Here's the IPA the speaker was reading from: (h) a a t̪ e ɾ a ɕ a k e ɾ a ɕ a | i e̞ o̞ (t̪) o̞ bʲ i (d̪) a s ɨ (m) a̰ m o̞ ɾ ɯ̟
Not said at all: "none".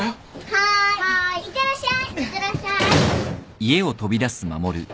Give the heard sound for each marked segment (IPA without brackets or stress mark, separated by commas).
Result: h, t̪, d̪, m